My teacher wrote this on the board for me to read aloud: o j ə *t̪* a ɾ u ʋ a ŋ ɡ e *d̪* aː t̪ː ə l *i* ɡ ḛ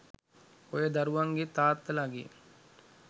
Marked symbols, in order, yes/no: no, no, no

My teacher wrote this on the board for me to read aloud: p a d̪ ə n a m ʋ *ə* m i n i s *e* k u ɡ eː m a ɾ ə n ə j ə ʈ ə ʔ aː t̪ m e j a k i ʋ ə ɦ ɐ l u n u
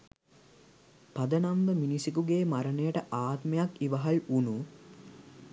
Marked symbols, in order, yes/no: yes, no

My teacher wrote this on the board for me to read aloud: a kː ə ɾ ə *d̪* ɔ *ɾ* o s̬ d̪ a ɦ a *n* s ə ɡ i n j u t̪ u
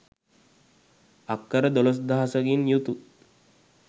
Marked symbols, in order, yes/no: yes, no, no

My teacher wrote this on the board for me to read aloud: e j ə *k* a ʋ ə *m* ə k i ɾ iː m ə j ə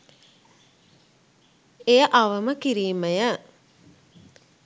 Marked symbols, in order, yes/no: no, yes

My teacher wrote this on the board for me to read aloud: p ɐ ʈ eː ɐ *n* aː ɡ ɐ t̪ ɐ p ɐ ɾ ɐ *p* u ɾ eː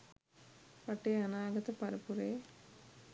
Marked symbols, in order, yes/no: yes, yes

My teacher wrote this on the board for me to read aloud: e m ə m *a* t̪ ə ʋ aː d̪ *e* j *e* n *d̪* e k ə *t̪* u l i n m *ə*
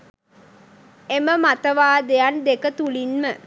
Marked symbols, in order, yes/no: yes, yes, no, yes, yes, yes

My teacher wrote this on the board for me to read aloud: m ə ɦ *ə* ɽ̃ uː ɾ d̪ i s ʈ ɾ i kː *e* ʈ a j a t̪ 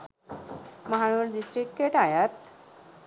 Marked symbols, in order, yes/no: no, yes

